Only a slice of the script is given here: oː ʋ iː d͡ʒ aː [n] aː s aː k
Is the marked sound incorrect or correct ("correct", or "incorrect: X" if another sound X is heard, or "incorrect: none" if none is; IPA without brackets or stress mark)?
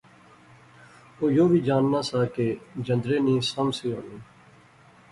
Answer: incorrect: nː